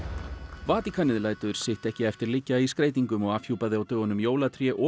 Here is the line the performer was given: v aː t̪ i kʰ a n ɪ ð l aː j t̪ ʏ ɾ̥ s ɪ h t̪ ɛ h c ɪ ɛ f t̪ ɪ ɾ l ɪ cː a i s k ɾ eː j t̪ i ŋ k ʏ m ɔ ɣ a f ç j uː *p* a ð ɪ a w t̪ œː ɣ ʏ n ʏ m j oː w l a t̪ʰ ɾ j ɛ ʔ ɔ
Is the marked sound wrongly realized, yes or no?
no